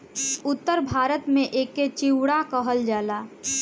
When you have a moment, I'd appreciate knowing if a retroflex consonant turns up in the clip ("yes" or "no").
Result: yes